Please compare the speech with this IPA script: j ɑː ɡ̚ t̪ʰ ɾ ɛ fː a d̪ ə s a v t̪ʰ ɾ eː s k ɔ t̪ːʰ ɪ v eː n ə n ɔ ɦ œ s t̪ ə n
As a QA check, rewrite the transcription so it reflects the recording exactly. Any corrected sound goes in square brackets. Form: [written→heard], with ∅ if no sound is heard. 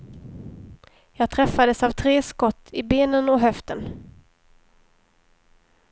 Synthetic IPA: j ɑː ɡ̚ t̪ʰ ɾ ɛ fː a d̪ ə s a v t̪ʰ ɾ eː s k ɔ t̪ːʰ ɪ [v→b] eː n ə n ɔ ɦ œ [s→f] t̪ ə n